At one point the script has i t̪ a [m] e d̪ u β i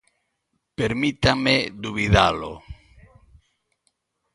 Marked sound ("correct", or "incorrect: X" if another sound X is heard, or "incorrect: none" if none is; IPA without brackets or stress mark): correct